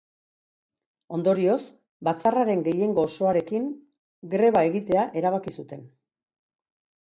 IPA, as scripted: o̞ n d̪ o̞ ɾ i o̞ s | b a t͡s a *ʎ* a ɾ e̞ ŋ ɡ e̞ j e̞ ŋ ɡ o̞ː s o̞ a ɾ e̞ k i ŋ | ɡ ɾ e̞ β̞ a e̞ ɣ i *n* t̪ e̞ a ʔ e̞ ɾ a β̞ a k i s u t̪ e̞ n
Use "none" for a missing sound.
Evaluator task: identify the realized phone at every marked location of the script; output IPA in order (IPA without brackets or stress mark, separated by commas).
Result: r, none